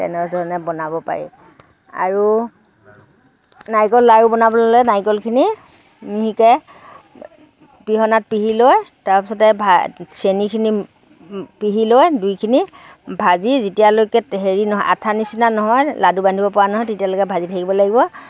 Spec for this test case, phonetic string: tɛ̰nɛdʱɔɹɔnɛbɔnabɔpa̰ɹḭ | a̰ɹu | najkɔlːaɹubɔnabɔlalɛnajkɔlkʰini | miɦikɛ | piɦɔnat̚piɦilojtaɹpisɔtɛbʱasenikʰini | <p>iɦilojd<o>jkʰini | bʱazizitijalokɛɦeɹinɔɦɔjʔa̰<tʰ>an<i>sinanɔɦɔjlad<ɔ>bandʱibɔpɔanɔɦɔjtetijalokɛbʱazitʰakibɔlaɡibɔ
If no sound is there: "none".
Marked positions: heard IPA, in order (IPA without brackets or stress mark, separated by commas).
p, u, tʰ, i, u